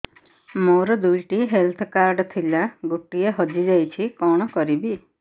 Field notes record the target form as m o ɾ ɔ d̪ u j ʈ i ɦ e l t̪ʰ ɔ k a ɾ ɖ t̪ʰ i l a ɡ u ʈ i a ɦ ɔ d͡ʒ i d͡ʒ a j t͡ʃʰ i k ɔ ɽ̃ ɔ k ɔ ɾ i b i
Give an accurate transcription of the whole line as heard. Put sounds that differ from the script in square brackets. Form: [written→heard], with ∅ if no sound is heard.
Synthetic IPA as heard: m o ɾ ɔ d̪ u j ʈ i ɦ e l t̪ʰ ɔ k a ɾ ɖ t̪ʰ i l a ɡ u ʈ i [a→e] ɦ ɔ d͡ʒ i d͡ʒ a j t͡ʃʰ i k ɔ ɽ̃ ɔ k ɔ ɾ i b i

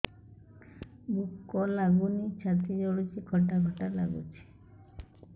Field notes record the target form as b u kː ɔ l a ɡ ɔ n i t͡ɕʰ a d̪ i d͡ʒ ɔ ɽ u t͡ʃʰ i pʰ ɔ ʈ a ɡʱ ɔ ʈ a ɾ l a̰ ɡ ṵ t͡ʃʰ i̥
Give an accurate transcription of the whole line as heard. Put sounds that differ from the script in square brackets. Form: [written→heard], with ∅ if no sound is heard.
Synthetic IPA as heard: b u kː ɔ l a ɡ [ɔ→u] n i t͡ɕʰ a [d̪→t̪] i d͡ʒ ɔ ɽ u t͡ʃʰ i [pʰ→kʰ] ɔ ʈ a ɡʱ ɔ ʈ a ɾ l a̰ ɡ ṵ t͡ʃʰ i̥

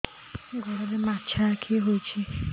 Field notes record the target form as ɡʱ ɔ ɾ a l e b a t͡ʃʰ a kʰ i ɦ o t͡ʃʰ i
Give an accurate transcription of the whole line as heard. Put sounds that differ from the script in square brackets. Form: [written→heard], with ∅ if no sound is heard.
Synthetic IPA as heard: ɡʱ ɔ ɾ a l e [b→m] a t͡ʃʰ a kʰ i ɦ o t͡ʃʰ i

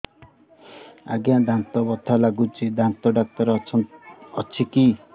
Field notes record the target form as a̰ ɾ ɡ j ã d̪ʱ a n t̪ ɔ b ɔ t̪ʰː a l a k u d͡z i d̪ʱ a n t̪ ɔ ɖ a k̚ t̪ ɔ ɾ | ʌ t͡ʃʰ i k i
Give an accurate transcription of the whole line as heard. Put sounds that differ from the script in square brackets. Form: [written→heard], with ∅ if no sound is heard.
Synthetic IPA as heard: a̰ [ɾ→∅] ɡ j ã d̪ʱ a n t̪ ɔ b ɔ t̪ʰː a l a [k→ɡ] u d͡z i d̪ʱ a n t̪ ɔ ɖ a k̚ t̪ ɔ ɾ | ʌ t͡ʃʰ i k i

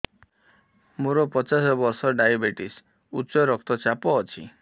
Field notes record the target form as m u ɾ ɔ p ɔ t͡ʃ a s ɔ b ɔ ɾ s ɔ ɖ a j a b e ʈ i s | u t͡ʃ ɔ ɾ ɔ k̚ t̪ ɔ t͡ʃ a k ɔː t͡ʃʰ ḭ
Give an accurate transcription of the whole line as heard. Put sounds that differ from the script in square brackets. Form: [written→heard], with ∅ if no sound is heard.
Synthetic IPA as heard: m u ɾ ɔ p ɔ t͡ʃ a s ɔ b ɔ ɾ s ɔ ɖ a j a b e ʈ i s | u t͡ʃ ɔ ɾ ɔ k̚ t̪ ɔ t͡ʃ a [k→p] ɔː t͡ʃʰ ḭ

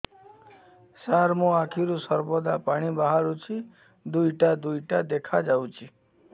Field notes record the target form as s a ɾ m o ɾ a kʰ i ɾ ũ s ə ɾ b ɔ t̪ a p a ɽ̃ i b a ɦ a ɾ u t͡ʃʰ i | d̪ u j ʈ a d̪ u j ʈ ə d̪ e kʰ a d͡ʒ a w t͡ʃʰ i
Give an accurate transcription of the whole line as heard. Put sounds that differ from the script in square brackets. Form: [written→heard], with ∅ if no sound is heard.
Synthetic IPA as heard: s a ɾ m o [ɾ→∅] a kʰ i ɾ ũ s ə ɾ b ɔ [t̪→d̪] a p a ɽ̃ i b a ɦ a ɾ u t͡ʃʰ i | d̪ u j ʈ a d̪ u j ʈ [ə→a] d̪ e kʰ a d͡ʒ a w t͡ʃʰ i

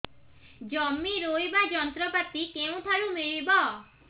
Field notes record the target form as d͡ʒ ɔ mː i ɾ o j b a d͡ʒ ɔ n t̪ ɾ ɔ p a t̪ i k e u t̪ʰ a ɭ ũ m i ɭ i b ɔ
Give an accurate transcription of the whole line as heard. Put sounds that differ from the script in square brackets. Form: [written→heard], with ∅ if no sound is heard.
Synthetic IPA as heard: d͡ʒ ɔ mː i ɾ o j b a d͡ʒ ɔ n t̪ ɾ ɔ p a t̪ i k e [u→ũ] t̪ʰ a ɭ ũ m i ɭ i b ɔ

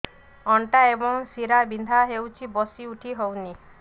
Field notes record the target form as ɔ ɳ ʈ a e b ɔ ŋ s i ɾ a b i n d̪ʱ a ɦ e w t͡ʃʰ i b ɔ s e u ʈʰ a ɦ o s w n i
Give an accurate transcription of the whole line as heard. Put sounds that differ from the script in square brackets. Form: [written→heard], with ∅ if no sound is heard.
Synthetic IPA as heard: ɔ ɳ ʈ a e b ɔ ŋ s i ɾ a b i n d̪ʱ a ɦ e w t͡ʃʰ i b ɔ s [e→i] u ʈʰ [a→i] ɦ o [s→∅] w n i

